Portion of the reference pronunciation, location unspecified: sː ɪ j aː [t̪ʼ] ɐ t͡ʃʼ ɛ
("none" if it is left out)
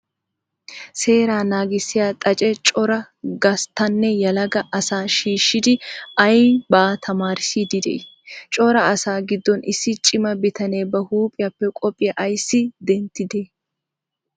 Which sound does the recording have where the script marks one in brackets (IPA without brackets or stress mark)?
t̪ʼ